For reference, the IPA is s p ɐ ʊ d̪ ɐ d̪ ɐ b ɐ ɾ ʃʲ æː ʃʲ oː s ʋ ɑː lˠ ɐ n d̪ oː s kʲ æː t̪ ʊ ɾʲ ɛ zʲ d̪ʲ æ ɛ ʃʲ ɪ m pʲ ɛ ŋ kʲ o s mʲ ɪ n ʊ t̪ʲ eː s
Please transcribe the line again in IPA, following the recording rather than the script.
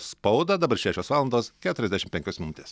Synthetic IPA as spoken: s p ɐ ʊ d̪ ɐ d̪ ɐ b ɐ ɾ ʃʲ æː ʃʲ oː s ʋ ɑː lˠ ɐ n d̪ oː s kʲ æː t̪ ʊ ɾʲ ɛ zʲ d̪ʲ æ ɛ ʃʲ ɪ m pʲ ɛ ŋ kʲ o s mʲ ɪ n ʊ t̪ʲ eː s